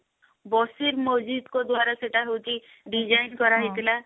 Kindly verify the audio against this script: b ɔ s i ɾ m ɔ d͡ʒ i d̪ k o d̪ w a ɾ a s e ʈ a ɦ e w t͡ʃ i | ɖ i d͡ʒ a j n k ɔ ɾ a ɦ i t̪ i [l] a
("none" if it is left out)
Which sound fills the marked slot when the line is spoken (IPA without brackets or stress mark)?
l